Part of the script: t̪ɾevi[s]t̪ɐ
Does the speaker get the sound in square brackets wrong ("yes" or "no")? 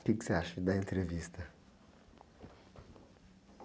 no